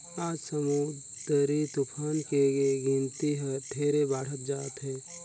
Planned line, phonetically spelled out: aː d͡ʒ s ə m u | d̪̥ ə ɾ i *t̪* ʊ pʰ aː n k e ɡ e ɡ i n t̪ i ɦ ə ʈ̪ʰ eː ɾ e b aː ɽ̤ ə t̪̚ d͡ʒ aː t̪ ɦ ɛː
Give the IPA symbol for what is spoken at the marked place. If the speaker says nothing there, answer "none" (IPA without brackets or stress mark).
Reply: t̪